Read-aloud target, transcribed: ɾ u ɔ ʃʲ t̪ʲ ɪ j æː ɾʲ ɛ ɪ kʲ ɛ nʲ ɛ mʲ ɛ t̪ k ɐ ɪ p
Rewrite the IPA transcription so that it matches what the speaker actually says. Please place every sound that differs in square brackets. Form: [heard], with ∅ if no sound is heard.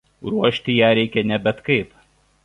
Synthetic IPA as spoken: ɾ u ɔ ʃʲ t̪ʲ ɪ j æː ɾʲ ɛ ɪ kʲ ɛ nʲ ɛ [bʲ] ɛ t̪ k ɐ ɪ p